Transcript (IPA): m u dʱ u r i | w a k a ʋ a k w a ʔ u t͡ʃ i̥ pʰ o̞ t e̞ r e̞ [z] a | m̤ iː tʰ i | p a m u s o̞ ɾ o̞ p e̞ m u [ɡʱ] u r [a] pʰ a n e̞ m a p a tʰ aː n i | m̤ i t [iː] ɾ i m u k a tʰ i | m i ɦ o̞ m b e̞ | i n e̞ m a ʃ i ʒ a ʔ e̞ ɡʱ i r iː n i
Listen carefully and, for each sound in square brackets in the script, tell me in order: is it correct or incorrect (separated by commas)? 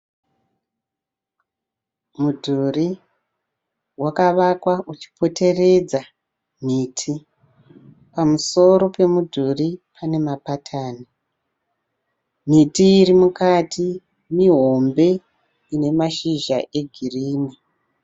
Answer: incorrect, incorrect, incorrect, correct